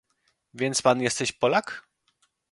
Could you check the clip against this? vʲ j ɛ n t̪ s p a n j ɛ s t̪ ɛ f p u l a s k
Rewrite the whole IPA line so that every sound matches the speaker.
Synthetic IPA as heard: vʲ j ɛ n t̪ s p a n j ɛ s t̪ ɛ ɕ p ɔ l a k